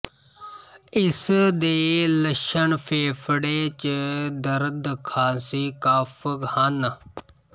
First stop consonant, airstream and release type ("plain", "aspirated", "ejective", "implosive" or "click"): plain